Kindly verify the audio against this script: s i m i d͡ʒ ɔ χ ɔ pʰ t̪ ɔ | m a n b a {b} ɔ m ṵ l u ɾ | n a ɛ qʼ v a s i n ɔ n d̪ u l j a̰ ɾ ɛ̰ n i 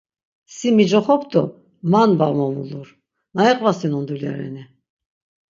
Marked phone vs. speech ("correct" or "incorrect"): incorrect